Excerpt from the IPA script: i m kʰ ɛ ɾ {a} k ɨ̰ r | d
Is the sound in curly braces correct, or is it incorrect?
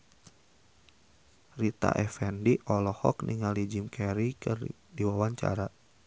incorrect